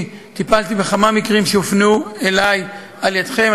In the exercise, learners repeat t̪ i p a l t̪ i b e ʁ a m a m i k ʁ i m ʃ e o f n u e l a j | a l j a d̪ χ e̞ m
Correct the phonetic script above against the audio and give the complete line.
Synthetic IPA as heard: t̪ i p a l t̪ i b e χ a m a m i k ʁ i m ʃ e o f n u e l a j | a l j a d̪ χ e̞ m